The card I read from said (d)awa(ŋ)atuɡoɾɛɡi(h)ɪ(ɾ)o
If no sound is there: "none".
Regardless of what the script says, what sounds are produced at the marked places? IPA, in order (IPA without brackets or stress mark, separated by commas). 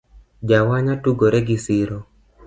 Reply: d͡ʒ, ɲ, s, ɾ